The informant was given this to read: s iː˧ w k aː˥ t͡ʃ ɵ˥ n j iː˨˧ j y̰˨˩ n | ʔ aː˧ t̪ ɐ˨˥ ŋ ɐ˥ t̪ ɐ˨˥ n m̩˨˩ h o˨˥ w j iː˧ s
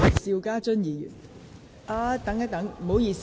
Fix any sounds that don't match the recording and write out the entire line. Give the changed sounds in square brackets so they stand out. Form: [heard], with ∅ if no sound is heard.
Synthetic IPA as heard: s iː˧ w k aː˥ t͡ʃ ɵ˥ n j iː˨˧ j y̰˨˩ n | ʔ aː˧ t̪ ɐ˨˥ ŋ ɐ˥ t̪ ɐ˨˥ [ŋ] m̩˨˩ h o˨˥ w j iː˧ s

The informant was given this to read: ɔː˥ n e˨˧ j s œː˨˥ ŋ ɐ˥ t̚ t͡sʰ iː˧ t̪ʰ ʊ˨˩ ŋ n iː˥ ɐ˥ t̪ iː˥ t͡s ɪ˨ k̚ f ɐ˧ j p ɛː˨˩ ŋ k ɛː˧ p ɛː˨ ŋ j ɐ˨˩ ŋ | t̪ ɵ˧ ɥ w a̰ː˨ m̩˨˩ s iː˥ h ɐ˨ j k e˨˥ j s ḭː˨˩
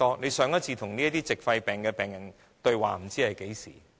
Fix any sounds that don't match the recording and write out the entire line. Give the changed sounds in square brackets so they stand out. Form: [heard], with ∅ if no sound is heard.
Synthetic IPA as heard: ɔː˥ n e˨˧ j s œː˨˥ ŋ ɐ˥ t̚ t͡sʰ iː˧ t̪ʰ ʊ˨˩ ŋ n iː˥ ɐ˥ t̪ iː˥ t͡s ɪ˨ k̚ f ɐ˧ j p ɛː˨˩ ŋ k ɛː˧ p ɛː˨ ŋ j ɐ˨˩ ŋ | t̪ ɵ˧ ɥ w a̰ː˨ m̩˨˩ [t͡s] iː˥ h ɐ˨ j k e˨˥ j s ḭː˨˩

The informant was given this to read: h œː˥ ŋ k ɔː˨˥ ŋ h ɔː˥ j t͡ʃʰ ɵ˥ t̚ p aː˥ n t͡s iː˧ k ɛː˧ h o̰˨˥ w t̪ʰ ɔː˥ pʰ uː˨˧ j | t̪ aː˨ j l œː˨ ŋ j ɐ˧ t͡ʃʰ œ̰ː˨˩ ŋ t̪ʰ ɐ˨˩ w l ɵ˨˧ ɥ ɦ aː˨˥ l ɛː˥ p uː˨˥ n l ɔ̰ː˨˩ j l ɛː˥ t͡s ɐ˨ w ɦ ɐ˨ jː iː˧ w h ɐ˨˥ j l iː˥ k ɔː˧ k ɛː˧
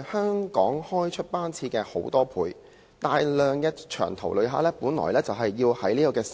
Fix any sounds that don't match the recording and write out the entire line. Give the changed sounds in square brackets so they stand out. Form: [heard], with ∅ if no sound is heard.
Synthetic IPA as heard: h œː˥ ŋ k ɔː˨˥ ŋ h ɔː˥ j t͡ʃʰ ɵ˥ t̚ p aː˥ n [t͡sʰ] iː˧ k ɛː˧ h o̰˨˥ w [t̪] ɔː˥ pʰ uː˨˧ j | t̪ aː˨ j l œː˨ ŋ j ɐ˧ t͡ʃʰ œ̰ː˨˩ ŋ t̪ʰ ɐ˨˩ w l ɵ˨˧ ɥ ɦ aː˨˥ l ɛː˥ p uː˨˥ n l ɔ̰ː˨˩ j l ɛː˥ t͡s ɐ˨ w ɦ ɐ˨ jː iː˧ w h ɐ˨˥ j l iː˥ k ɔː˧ k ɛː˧

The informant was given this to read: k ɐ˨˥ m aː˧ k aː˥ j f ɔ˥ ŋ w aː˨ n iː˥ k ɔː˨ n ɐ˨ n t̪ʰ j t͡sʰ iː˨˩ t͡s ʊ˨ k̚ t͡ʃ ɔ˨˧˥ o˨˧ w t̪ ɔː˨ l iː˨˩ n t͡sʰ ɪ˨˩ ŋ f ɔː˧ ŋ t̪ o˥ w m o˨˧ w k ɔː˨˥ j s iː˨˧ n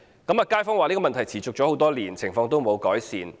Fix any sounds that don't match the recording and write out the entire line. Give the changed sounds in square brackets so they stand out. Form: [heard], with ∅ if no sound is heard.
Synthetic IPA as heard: k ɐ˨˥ m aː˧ k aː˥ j f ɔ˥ ŋ w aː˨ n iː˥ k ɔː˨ [m] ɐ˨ n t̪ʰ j t͡sʰ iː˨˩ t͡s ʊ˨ k̚ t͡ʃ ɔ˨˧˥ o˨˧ w t̪ [ɔː˥] l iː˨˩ n t͡sʰ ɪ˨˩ ŋ f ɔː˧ ŋ t̪ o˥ w m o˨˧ w k ɔː˨˥ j s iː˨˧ n

